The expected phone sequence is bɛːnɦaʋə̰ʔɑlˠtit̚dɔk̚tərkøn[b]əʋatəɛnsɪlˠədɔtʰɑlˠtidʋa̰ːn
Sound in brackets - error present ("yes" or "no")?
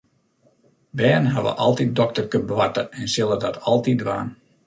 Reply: no